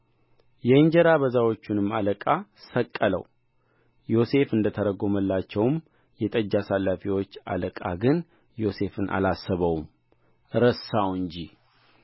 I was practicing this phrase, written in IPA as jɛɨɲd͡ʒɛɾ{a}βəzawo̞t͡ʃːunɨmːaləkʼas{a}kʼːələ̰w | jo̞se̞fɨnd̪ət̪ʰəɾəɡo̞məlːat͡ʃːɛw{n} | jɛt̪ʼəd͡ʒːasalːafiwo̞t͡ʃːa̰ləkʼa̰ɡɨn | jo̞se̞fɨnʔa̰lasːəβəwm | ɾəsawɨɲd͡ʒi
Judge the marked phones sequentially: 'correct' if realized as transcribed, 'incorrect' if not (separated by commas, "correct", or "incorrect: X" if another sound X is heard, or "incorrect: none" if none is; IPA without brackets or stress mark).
correct, incorrect: ə, incorrect: m